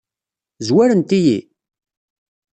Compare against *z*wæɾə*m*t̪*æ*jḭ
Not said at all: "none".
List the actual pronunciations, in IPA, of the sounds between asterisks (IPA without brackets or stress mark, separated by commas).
z, n, i